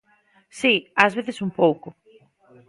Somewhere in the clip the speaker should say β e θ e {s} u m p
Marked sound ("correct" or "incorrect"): correct